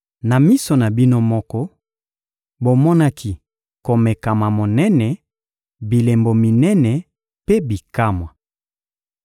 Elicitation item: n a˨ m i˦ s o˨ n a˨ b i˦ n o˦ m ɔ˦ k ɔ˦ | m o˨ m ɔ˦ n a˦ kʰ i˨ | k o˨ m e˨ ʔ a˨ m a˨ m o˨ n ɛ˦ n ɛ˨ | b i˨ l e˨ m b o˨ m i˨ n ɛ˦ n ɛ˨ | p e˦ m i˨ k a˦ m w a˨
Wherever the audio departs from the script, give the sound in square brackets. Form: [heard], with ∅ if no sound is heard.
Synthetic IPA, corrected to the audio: n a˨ m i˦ s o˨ n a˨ b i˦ n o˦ m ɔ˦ k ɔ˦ | [b] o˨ m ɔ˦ n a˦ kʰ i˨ | k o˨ m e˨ [k] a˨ m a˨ m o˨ n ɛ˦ n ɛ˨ | b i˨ l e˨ m b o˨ m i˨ n ɛ˦ n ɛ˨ | p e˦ [b] i˨ k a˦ m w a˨